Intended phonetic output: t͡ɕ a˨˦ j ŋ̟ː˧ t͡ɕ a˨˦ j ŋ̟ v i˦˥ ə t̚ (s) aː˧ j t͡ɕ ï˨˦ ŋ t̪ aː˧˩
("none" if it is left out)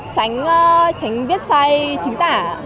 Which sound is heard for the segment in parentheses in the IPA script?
s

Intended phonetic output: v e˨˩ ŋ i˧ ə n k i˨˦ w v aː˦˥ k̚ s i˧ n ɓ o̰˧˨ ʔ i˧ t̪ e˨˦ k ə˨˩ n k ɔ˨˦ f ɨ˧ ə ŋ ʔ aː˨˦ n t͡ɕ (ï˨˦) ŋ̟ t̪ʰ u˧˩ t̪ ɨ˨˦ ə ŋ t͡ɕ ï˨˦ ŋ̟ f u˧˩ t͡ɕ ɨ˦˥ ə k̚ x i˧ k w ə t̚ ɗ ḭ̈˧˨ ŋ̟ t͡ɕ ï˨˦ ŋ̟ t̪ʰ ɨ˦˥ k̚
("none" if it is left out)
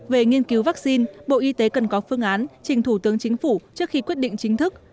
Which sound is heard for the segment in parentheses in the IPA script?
ï˨˩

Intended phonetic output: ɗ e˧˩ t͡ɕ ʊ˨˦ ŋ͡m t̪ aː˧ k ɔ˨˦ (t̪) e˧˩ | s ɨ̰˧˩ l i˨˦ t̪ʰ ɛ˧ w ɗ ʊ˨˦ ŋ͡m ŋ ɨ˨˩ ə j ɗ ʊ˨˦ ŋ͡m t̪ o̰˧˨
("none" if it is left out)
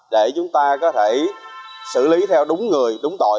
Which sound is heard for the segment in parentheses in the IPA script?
t̪ʰ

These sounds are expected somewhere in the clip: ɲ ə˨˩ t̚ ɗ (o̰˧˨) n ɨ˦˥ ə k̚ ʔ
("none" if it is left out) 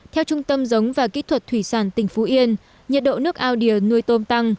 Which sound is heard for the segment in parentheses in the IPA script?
o̰˧˨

